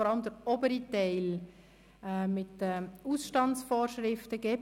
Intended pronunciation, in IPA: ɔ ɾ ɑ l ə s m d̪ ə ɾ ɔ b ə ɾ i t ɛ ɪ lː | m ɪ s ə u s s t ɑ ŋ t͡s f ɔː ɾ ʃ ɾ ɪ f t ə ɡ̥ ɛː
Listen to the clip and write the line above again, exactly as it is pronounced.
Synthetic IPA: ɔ ɾ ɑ l ə m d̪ ə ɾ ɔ b ə ɾ i t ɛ ɪ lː | m ɪ t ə u s ʃ t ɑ n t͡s f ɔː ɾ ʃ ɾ ɪ f t ə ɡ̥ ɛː

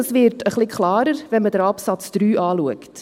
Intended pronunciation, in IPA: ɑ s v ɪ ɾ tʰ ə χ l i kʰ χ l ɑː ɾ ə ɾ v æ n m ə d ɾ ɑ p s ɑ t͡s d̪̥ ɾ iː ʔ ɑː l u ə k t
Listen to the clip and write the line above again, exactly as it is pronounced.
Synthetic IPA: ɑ s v ɪ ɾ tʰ ə χ l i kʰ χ l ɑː ɾ ə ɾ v ɛ n m ə d ɾ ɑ p s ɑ t͡s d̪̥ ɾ yː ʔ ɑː l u ə k t

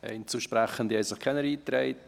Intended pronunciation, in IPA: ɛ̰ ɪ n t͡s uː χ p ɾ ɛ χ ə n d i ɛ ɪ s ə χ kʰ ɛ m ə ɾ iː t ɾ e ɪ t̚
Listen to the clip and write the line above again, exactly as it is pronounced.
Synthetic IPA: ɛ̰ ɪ n t͡s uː ʃ p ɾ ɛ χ ə n d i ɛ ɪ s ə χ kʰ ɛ n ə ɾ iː t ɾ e ɪ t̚

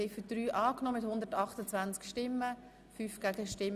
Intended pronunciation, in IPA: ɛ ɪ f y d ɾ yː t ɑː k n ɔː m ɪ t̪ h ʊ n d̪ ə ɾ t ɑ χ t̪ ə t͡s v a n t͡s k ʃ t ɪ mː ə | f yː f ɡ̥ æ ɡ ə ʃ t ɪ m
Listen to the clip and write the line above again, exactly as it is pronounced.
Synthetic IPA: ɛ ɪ f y d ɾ yː ʔ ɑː k n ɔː m ɪ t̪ h ʊ n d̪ ə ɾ t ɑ χ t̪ ə t͡s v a n t͡s k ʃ t ɪ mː ə | f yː f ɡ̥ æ ɡ ə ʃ t ɪ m

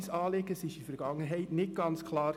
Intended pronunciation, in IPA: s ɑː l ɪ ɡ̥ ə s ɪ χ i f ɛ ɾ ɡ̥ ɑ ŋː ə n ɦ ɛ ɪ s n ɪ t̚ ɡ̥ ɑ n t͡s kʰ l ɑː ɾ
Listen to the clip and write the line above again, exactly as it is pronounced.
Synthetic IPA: s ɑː l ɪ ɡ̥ ə s ɪ ʃ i f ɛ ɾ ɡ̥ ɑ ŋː ə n ɦ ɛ ɪ t n ɪ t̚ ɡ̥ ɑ n t͡s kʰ l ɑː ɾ

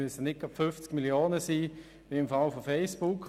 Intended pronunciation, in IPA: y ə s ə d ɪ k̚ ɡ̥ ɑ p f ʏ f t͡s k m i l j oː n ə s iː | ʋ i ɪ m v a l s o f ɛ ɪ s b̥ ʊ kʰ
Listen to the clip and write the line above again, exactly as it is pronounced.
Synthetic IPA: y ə s ə n ɪ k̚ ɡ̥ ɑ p f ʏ f t͡s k m i l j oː n ə s iː | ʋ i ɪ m f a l f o f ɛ ɪ s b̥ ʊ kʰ

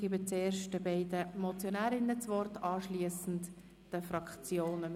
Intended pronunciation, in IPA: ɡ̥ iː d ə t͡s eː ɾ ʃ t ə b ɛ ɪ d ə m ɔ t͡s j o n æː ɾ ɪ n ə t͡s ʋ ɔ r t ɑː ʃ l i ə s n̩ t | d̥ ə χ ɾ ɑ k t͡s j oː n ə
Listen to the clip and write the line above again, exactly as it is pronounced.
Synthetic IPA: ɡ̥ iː b ə t͡s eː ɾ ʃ t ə b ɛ ɪ d ə m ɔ t͡s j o n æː ɾ ɪ n ə t͡s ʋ ɔ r t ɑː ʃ l i ə s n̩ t | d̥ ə f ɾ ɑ k t͡s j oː n ə

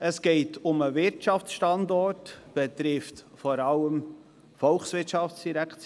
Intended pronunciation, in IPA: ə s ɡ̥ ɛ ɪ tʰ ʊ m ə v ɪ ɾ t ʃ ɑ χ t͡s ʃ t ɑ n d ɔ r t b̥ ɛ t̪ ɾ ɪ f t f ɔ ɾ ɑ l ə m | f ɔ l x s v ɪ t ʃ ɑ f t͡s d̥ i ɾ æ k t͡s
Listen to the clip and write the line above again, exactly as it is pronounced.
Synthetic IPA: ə s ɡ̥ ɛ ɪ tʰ ʊ m ə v ɪ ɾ t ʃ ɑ f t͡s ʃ t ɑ n d ɔ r t b̥ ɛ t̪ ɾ ɪ f t f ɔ ɾ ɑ l ə m | f ɔ l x s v ɪ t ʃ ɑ f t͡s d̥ i ɾ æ k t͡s

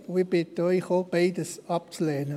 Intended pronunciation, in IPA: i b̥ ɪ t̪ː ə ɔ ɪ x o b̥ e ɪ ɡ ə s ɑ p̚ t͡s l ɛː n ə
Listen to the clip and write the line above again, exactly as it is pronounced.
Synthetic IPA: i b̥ ɪ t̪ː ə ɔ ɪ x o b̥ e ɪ d ə s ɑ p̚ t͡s l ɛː n ə

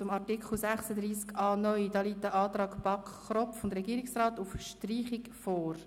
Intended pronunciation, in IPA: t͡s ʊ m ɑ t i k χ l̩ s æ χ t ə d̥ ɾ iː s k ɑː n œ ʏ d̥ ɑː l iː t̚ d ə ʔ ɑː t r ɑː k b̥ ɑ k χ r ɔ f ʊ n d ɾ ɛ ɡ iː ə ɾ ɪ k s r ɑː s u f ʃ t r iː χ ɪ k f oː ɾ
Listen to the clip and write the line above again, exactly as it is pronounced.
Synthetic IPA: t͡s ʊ m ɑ t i k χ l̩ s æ χ s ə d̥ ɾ iː s k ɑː n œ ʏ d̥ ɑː l iː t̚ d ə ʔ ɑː t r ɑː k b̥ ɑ k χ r ɔ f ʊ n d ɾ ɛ ɡ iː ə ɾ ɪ k s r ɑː t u f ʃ t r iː χ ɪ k f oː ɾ

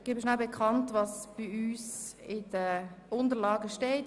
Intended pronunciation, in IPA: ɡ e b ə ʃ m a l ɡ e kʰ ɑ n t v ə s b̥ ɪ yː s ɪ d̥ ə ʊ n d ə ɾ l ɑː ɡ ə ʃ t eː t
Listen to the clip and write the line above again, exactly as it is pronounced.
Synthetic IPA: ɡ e b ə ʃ n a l b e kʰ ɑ n t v ɑ s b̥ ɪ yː s ɪ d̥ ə ʊ n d ə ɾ l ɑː ɡ ə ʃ t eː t

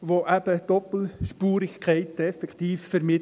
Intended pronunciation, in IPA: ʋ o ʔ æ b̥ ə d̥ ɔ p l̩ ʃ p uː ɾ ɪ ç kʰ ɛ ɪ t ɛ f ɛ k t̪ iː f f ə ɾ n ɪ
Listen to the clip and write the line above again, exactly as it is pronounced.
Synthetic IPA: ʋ o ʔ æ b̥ ə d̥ ɔ p l̩ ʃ p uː ɾ ɪ ç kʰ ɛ ɪ t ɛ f ɛ k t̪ iː f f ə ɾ m ɪ

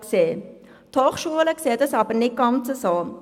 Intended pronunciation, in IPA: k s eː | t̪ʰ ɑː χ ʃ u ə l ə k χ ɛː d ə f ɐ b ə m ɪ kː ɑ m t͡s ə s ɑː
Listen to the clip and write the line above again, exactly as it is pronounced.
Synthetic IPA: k s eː | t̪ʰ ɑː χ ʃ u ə l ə k s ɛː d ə s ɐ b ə n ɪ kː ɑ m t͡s ə s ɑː

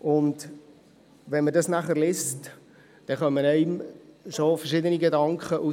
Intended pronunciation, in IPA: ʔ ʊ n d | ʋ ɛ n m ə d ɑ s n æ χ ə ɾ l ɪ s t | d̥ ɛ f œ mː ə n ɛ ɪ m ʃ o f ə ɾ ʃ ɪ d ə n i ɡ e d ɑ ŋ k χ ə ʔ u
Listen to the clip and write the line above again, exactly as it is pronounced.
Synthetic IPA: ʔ ʊ n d | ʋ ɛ n m ə d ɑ s n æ χ ə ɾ l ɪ s t | d̥ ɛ χ œ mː ə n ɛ ɪ m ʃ o f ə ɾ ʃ ɪ d ə n i ɡ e d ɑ ŋ k χ ə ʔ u

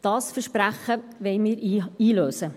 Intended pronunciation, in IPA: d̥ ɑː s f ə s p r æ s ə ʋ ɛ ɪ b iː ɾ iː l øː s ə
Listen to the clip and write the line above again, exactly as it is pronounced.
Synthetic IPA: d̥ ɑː s f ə ʃ p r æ χ ə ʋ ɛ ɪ m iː ɾ iː l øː s ə

